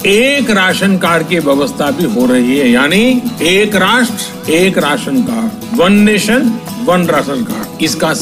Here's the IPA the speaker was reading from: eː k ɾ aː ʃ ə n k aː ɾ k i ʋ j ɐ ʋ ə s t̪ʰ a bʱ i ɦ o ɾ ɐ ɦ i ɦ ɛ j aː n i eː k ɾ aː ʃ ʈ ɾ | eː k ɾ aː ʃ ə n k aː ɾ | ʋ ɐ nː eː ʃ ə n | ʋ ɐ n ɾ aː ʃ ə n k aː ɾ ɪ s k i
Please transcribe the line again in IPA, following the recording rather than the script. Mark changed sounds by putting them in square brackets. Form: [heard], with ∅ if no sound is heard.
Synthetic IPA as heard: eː k ɾ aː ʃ ə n k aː ɾ k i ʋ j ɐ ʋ ə s t̪ʰ a bʱ i ɦ o ɾ ɐ ɦ i ɦ ɛ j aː n i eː k ɾ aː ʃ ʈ ɾ | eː k ɾ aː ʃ ə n k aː ɾ | ʋ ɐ nː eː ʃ ə n | ʋ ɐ n ɾ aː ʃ ə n k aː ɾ ɪ s k [a]